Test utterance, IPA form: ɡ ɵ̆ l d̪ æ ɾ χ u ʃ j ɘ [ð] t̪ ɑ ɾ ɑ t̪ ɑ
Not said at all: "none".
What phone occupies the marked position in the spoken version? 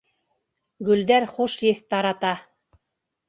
θ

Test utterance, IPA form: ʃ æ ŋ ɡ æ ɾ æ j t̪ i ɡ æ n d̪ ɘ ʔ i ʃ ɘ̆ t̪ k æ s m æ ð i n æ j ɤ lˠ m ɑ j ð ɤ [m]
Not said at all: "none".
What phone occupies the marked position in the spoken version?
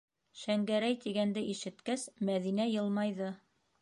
none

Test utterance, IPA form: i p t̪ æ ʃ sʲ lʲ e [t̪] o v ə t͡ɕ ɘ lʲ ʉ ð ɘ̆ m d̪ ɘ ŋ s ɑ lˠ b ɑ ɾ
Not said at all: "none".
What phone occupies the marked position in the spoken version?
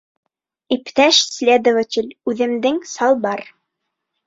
d̪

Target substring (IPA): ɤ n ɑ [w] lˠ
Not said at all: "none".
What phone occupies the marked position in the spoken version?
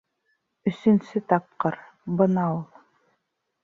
u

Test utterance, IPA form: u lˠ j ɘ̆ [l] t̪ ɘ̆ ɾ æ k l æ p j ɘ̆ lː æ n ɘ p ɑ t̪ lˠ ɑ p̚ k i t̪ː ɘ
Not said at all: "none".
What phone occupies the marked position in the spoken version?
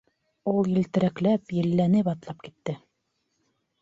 l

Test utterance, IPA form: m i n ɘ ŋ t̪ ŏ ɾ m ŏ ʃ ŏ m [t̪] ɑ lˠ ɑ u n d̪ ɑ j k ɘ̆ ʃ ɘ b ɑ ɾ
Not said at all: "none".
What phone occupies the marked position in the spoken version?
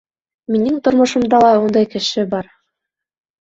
d̪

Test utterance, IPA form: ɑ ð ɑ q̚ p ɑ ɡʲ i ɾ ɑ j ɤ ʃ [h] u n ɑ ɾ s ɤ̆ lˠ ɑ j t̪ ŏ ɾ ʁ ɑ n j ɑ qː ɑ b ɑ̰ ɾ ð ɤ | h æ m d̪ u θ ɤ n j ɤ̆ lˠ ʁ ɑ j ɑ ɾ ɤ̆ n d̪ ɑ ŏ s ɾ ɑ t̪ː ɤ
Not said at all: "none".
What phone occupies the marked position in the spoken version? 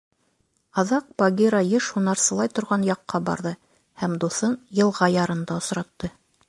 h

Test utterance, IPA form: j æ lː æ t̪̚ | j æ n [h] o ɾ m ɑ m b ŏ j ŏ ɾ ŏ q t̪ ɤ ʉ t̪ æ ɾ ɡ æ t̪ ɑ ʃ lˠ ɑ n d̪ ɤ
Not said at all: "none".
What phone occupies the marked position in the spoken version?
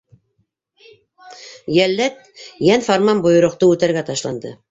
f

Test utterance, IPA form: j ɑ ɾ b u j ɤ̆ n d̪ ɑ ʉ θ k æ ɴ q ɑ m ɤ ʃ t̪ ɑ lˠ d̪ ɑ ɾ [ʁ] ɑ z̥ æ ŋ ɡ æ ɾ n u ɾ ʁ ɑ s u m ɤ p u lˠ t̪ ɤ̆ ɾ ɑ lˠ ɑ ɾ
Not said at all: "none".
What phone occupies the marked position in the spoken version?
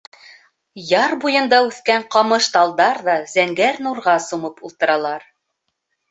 ð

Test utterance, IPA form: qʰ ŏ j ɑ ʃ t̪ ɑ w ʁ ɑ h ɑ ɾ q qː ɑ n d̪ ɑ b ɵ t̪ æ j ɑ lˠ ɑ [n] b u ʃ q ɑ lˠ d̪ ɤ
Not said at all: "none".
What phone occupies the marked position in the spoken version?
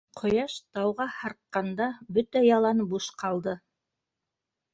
n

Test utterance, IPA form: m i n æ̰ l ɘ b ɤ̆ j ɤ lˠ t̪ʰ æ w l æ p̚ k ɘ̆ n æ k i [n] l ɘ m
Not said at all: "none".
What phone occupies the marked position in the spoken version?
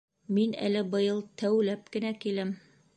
none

